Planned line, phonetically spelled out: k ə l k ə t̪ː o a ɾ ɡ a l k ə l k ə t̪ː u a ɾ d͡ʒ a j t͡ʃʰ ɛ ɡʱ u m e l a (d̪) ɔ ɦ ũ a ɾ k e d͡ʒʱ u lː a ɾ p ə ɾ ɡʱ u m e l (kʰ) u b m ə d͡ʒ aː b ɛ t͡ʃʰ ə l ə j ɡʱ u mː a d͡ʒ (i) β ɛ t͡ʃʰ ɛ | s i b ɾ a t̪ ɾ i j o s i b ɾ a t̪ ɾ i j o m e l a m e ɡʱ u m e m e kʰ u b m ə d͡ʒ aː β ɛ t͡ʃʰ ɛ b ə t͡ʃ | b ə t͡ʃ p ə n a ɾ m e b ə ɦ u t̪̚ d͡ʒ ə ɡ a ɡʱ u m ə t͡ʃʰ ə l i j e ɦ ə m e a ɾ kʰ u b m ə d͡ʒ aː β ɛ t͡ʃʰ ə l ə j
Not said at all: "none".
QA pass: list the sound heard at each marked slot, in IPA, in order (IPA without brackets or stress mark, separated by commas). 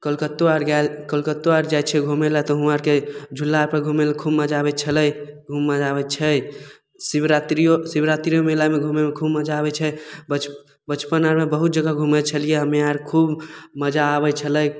t̪, kʰ, a